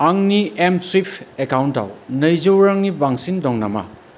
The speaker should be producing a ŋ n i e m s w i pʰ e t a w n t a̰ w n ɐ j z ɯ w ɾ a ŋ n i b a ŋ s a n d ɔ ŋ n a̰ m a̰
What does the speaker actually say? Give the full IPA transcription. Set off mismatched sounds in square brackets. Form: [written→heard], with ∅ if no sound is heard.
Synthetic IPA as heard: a ŋ n i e m s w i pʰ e [t→k] a w n t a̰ w n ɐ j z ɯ w ɾ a ŋ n i b a ŋ s [a→i] n d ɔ ŋ n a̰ m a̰